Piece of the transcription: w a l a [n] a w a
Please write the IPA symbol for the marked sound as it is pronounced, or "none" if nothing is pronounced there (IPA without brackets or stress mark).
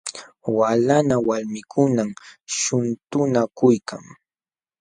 n